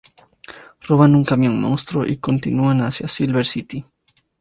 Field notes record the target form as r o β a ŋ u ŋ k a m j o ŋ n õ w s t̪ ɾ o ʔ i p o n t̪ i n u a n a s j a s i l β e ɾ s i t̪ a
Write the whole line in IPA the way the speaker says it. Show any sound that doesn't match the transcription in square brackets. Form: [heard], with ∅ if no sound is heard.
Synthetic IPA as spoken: r o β a [n] u ŋ k a m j o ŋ [m] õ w s t̪ ɾ o ʔ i [k] o n t̪ i n u a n a s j a s i l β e ɾ s i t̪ [i]